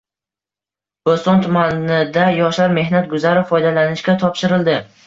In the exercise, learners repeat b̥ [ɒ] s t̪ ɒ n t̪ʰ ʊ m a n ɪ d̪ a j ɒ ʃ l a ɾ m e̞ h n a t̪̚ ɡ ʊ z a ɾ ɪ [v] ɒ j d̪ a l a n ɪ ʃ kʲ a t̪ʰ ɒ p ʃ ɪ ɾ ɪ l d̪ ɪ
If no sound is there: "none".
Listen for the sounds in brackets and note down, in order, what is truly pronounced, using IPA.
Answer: o, f

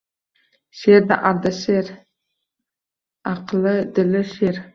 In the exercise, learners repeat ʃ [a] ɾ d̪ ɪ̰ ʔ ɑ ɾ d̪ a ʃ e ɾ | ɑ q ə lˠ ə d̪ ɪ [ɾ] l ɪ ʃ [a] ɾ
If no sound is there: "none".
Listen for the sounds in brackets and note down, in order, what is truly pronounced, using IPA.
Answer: e, none, e

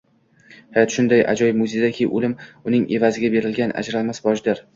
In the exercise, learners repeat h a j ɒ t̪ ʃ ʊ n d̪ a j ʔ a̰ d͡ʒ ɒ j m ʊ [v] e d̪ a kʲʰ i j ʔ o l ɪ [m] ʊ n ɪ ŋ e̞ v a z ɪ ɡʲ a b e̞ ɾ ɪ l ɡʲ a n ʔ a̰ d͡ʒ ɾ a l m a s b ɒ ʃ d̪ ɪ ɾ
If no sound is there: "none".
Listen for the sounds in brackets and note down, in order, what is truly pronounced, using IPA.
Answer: z, m

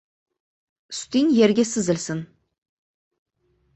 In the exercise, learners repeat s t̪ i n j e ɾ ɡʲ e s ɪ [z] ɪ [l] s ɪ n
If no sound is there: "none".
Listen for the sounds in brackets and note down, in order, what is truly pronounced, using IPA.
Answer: z, l

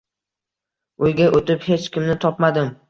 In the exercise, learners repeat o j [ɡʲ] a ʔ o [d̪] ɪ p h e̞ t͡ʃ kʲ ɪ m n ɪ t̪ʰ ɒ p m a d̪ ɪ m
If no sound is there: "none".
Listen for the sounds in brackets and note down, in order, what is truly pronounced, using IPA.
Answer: ɡʲ, t̪

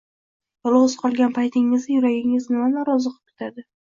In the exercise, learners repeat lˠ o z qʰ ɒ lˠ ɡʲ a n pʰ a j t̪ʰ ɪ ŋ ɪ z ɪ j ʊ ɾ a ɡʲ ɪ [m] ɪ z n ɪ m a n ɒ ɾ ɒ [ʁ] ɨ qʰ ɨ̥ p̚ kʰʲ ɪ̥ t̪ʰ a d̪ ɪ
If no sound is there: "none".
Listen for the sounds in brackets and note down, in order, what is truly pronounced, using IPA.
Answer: ŋ, z

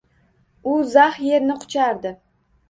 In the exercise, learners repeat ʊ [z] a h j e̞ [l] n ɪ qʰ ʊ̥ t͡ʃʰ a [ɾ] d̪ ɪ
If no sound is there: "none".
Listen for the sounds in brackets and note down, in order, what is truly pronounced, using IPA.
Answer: z, ɾ, ɾ

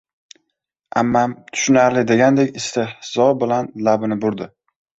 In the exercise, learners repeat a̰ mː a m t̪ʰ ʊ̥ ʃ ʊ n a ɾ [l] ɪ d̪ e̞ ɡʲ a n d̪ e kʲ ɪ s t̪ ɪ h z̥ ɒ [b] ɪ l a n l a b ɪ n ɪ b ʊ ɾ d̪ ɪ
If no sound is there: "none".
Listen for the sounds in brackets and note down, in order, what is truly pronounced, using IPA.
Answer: l, b

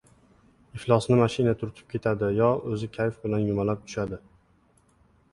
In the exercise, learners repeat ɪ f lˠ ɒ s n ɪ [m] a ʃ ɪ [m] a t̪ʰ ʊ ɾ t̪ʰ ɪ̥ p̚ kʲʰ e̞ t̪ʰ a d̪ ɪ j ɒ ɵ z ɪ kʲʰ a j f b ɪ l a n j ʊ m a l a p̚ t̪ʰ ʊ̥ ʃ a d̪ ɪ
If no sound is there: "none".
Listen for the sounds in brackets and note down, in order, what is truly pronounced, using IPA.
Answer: m, n

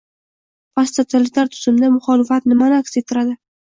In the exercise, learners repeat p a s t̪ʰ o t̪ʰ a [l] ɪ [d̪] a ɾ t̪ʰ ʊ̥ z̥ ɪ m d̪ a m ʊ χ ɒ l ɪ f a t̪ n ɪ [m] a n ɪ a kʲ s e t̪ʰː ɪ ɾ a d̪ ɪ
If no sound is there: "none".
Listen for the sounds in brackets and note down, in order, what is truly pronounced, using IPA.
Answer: l, t̪, m

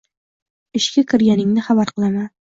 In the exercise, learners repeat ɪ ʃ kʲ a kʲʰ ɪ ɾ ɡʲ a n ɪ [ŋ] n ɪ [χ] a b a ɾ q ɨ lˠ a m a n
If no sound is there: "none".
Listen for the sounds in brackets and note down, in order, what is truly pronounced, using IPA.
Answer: ŋ, χ

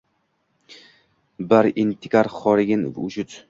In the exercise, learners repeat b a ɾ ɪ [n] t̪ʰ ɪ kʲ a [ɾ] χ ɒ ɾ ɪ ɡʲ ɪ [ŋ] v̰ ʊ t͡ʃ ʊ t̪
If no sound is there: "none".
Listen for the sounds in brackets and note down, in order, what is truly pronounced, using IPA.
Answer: n, ɾ, n

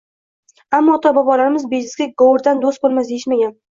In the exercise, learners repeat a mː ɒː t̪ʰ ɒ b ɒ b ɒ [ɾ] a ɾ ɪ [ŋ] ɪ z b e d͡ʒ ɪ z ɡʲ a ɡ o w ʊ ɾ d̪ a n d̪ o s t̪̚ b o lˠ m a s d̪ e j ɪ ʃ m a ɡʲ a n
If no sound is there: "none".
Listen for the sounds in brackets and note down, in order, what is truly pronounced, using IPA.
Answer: l, m

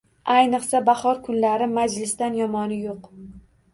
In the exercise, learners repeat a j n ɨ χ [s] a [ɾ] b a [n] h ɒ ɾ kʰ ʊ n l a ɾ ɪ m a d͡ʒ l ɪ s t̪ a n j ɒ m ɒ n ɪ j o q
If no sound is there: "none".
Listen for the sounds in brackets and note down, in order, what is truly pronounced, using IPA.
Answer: s, none, none

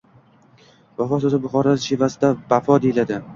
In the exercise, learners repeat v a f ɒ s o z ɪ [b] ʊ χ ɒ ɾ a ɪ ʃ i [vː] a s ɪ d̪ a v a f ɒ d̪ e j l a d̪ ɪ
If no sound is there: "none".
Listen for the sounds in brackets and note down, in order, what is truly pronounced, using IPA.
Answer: b, v

